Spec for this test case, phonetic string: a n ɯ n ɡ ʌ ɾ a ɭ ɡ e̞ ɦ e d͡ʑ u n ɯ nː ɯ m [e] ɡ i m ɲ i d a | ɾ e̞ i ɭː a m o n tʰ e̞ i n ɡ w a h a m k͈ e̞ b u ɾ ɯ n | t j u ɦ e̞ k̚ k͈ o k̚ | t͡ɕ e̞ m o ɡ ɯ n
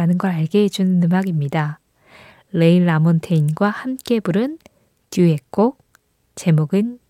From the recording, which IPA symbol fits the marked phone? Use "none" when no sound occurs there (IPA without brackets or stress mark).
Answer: a